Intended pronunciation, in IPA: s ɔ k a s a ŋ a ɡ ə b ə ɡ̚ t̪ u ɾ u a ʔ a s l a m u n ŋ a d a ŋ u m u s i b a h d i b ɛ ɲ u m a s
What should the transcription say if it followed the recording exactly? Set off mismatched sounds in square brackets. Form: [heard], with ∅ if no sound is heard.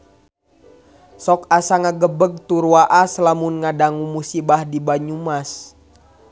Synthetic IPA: s ɔ k a s a ŋ a ɡ ə b ə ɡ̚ t̪ u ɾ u a ʔ a s l a m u n ŋ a d a ŋ u m u s i b a h d i b [a] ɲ u m a s